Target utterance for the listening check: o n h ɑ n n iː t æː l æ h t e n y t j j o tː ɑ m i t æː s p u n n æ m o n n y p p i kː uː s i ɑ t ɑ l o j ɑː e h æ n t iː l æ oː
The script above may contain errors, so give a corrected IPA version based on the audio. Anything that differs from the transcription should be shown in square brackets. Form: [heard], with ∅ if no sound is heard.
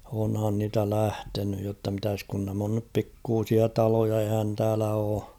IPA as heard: o n h ɑ n n iː t [æ] l æ h t e n y [∅] j j o tː ɑ m i t [æ] s [k] u n n æ m o n n y p p i kː uː s i ɑ t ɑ l o j [ɑ] e h æ n t [æː] l æ oː